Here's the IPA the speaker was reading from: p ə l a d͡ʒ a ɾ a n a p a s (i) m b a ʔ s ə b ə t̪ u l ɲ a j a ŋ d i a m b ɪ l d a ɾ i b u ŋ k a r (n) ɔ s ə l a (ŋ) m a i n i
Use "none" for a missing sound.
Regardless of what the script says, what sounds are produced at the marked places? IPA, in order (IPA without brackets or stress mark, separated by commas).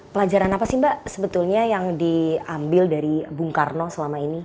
i, n, none